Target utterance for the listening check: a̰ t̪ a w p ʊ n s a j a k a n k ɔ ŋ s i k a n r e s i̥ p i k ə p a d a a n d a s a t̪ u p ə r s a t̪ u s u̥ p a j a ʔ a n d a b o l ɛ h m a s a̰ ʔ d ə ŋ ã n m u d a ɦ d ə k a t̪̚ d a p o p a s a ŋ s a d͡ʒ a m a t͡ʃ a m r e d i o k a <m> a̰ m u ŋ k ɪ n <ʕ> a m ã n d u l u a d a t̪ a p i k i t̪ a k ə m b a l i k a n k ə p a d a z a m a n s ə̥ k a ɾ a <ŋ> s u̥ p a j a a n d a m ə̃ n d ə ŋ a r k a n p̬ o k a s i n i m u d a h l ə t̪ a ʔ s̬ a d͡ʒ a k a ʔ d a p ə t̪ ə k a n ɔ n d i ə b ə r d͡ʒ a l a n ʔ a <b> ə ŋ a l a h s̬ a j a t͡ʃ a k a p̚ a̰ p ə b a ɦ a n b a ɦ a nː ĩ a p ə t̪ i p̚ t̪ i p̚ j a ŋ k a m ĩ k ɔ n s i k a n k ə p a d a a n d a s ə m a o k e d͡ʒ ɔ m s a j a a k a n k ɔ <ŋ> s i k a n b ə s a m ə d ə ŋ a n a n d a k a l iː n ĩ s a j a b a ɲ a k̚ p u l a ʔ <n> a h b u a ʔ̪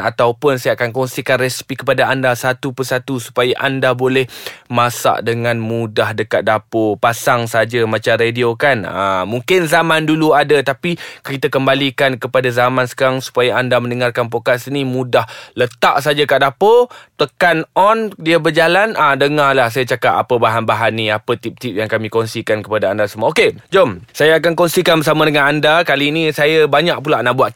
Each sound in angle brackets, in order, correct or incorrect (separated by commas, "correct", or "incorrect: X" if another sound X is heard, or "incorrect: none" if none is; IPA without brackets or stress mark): incorrect: n, incorrect: z, correct, incorrect: d, incorrect: n, correct